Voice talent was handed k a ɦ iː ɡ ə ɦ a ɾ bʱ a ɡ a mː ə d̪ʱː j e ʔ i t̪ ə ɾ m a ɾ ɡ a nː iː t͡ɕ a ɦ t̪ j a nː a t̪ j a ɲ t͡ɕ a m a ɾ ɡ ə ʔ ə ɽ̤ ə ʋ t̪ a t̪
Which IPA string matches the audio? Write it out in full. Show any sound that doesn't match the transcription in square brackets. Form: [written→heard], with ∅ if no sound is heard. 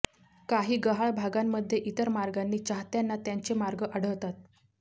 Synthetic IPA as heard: k a ɦ iː ɡ ə ɦ a [ɾ→ɭ] bʱ a ɡ a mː ə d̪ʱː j e ʔ i t̪ ə ɾ m a ɾ ɡ a nː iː t͡ɕ a ɦ t̪ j a nː a t̪ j a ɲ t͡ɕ [a→e] m a ɾ ɡ ə ʔ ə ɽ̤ ə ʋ t̪ a t̪